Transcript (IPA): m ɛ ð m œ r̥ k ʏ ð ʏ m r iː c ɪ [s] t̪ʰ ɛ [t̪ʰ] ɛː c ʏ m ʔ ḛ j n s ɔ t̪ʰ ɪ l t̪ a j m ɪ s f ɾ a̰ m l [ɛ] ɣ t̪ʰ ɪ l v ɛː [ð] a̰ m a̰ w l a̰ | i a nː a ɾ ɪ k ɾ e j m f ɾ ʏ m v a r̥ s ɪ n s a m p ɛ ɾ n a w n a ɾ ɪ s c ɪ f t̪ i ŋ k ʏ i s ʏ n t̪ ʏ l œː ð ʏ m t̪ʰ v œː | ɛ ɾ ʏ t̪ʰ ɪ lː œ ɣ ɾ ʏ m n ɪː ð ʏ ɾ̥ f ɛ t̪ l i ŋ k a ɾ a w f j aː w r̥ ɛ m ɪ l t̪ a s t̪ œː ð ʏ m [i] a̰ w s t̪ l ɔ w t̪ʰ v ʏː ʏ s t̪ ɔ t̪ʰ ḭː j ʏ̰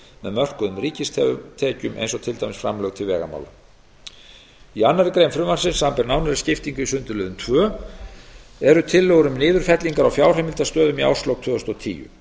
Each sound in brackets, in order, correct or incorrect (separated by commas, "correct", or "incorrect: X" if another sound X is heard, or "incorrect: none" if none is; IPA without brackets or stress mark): correct, correct, incorrect: œ, incorrect: ɣ, correct